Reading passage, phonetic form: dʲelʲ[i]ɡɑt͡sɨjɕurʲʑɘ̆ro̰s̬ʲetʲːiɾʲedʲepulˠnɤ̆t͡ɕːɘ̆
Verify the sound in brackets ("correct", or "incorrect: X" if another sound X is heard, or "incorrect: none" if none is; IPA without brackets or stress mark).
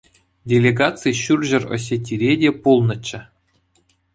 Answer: incorrect: e